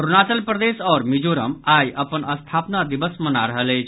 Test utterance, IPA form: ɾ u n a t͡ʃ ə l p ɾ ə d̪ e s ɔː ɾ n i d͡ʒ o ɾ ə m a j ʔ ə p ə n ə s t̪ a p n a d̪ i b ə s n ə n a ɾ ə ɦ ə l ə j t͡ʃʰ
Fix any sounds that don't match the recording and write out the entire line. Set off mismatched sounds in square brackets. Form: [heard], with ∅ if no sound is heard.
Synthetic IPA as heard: ɾ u n a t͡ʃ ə l p ɾ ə d̪ e s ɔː ɾ [m] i d͡ʒ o ɾ ə m a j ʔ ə p ə n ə s [t̪ʰ] a p n a d̪ i b ə s [m] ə n a ɾ ə ɦ ə l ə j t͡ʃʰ